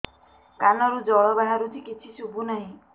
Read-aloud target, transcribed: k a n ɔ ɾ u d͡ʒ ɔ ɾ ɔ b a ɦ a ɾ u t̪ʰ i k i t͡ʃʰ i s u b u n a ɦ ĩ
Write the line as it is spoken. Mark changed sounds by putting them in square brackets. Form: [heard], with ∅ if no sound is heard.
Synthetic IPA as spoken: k a n ɔ ɾ u d͡ʒ ɔ [ɭ] ɔ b a ɦ a ɾ u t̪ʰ i k i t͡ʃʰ i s u b u n a ɦ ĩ